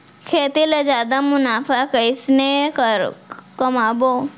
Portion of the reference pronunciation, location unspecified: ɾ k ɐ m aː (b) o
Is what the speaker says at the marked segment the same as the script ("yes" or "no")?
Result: yes